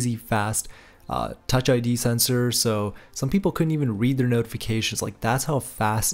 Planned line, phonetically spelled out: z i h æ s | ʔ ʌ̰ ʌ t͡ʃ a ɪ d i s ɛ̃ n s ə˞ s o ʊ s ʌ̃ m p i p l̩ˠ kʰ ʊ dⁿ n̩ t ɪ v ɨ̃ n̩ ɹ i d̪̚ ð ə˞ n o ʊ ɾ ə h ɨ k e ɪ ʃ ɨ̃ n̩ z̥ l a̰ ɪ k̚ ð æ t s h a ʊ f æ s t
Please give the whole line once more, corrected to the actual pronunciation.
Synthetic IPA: z i f æ s | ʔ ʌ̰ ʌ t͡ʃ a ɪ d i s ɛ̃ n s ə˞ s o ʊ s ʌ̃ m p i p l̩ˠ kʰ ʊ dⁿ n̩ t i v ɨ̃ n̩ ɹ i d̪̚ ð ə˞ n o ʊ ɾ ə f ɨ kʰ e ɪ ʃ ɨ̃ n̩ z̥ l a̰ ɪ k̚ ð æ t s h a ʊ f æ s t